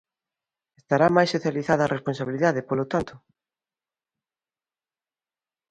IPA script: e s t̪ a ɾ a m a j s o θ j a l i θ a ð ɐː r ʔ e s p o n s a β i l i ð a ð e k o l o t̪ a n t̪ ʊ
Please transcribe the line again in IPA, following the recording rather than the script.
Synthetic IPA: e s t̪ a ɾ a m a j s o θ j a l i θ a ð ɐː r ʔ e s p o n s a β i l i ð a ð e p o l o t̪ a n t̪ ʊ